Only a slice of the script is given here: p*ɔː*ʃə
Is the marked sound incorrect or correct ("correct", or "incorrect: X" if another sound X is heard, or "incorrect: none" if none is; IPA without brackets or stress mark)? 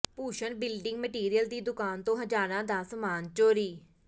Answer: incorrect: uː